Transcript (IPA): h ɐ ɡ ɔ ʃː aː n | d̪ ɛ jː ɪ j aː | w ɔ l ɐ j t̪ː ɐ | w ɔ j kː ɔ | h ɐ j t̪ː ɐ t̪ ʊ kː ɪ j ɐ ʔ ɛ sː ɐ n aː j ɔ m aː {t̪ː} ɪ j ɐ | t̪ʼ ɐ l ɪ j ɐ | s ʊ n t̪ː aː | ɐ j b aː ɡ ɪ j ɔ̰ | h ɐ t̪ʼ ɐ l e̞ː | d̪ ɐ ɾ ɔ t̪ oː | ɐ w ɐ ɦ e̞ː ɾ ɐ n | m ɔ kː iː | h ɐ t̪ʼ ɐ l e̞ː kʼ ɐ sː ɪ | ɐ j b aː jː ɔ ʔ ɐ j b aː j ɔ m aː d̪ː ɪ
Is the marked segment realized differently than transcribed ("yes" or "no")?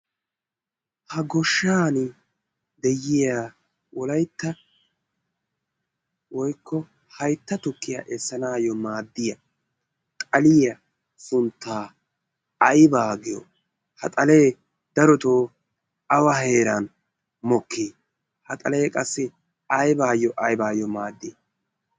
yes